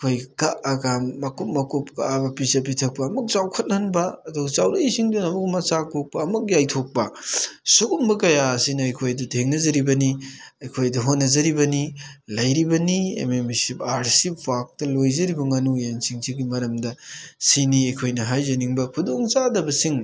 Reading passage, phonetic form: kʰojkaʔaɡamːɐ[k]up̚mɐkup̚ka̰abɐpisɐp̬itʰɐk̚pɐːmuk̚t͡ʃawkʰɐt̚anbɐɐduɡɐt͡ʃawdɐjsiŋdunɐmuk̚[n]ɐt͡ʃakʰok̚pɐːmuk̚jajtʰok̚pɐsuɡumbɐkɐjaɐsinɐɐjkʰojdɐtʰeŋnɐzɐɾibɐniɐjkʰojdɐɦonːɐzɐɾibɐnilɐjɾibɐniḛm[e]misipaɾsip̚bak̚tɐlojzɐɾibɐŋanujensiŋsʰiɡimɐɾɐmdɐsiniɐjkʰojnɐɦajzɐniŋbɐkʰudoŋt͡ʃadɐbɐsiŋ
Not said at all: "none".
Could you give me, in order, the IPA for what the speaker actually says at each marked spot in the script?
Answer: k, m, e

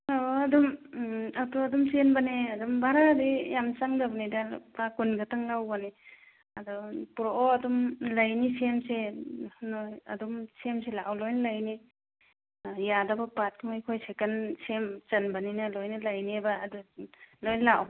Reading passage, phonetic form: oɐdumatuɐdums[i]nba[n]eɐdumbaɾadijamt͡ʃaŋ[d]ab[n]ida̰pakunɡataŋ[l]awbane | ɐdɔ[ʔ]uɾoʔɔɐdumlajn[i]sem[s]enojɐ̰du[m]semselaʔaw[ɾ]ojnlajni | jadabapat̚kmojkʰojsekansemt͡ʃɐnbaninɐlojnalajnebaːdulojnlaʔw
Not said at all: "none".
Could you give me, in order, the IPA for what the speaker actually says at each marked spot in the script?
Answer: e, n, d, n, l, p, i, s, m, l

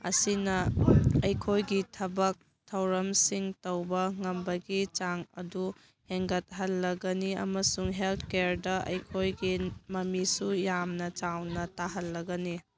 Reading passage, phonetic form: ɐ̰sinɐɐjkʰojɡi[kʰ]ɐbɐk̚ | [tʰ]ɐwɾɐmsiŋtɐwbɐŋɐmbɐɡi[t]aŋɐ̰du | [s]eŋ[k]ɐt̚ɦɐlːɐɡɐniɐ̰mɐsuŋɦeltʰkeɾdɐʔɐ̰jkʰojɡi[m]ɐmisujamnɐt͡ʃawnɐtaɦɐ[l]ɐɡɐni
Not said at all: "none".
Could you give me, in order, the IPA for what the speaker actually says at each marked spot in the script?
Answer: tʰ, tʰ, t͡ʃ, h, ɡ, m, lː

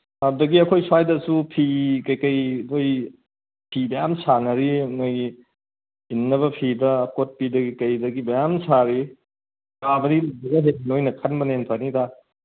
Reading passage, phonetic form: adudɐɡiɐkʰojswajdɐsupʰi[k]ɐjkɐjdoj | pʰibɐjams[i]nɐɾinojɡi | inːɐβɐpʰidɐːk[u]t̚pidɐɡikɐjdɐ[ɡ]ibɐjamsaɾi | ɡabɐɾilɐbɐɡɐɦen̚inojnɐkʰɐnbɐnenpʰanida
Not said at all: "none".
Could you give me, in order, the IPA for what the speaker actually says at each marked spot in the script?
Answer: k, a, o, ɡ

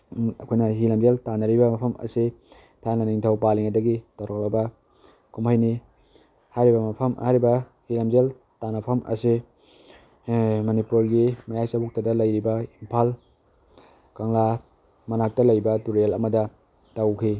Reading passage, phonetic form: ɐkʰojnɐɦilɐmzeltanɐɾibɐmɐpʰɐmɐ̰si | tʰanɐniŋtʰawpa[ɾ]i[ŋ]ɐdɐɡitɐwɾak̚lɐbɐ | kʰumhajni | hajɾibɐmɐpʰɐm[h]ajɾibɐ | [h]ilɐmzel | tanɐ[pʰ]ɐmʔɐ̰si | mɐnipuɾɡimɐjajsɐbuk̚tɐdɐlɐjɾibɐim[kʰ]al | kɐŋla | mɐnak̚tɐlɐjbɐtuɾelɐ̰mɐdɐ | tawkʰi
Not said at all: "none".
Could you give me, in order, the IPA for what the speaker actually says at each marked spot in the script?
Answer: l, ŋ, h, h, pʰ, pʰ

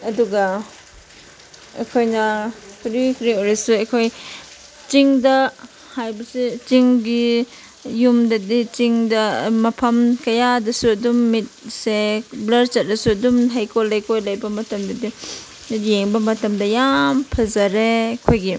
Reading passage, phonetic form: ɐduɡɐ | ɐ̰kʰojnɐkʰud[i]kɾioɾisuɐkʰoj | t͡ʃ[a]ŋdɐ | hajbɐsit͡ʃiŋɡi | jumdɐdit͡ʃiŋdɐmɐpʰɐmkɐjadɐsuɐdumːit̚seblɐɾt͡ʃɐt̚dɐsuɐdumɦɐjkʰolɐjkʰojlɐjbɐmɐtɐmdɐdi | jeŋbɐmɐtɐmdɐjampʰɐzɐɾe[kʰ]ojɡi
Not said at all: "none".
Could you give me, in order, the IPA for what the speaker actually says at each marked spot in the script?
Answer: i, i, kʰ

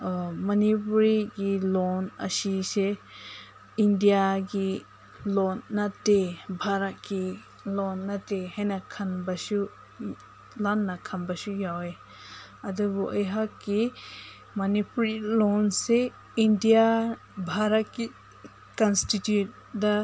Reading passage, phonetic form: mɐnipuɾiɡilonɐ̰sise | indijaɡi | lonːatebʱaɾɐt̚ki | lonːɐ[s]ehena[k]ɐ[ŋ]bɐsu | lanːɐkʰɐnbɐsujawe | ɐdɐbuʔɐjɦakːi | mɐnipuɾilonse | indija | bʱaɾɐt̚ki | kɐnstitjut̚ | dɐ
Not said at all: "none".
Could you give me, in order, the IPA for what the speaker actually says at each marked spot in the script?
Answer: t, kʰ, n

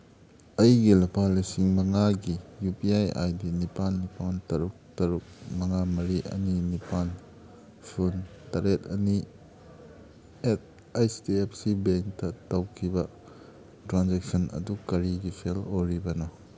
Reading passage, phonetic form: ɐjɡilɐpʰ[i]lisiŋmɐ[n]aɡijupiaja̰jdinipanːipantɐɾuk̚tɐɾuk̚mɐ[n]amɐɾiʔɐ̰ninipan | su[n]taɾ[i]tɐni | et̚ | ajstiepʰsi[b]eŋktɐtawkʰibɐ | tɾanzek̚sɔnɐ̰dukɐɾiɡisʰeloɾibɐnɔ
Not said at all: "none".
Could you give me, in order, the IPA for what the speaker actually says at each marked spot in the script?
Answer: a, ŋ, ŋ, n, e, b

